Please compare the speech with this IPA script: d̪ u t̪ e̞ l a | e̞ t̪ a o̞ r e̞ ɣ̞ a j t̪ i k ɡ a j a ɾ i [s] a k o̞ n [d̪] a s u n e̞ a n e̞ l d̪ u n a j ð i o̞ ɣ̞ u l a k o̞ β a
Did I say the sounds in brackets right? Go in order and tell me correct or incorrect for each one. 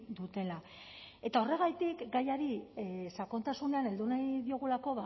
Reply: correct, incorrect

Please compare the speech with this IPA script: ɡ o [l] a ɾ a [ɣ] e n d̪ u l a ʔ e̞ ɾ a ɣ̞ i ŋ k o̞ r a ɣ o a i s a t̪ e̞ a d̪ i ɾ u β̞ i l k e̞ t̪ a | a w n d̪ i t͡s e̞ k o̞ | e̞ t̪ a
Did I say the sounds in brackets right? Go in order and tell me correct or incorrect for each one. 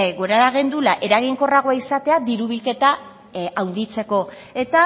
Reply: incorrect, correct

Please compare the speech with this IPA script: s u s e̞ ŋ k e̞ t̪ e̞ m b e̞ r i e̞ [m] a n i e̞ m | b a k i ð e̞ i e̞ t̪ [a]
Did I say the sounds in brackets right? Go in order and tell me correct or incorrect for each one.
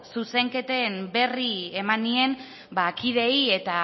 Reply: correct, correct

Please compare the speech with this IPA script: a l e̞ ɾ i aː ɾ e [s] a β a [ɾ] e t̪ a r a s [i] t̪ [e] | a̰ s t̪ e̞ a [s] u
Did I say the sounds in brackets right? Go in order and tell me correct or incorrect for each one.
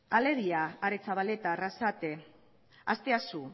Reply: incorrect, incorrect, incorrect, correct, correct

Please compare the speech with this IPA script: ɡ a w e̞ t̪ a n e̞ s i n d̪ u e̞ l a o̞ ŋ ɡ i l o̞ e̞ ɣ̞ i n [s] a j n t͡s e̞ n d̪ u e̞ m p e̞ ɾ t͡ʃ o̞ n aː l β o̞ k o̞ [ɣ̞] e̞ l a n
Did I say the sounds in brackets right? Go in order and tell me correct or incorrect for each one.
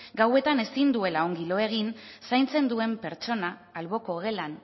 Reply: correct, correct

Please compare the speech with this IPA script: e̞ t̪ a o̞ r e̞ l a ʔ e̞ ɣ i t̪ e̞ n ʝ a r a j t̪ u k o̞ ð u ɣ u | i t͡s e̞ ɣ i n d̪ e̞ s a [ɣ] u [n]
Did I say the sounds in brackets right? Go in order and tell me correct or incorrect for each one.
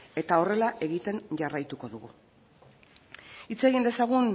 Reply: correct, correct

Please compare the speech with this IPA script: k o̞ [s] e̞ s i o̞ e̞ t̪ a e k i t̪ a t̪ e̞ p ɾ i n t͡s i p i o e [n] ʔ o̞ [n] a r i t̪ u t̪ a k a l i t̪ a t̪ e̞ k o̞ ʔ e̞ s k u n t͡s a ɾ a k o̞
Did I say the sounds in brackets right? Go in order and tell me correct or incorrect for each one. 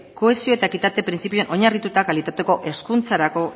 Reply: incorrect, correct, incorrect

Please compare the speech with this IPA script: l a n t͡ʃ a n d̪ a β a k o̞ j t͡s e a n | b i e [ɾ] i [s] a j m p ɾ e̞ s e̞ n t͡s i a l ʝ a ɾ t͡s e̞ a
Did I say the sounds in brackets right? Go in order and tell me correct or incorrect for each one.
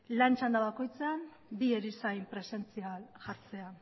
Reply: correct, correct

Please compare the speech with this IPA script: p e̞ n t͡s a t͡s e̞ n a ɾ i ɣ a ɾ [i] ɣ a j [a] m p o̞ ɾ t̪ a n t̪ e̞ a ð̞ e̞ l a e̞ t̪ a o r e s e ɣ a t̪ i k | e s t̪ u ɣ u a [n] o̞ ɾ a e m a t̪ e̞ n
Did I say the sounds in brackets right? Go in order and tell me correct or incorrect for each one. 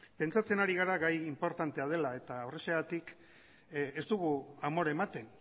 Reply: incorrect, incorrect, incorrect

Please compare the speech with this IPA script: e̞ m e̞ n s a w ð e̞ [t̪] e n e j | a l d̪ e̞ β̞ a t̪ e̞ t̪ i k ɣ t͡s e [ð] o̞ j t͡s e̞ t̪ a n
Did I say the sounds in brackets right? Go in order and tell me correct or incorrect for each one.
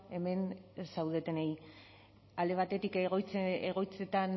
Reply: correct, incorrect

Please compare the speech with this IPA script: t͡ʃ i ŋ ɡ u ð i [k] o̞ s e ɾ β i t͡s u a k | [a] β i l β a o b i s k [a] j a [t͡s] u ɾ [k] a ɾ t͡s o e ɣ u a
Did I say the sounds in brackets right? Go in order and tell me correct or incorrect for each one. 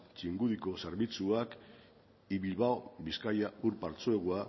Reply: correct, incorrect, correct, incorrect, incorrect

